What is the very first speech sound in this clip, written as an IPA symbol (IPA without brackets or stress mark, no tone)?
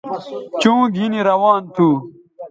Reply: t͡ɕ